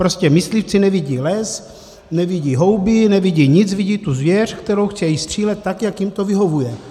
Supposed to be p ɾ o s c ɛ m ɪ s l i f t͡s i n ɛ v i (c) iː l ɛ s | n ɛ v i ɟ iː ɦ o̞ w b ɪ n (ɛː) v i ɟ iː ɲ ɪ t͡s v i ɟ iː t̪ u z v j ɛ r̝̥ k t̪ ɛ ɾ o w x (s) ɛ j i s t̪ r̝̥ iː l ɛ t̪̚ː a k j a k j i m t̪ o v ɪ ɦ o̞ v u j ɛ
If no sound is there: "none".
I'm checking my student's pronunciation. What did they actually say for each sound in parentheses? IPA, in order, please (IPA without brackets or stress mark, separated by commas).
ɟ, ɛ, t͡s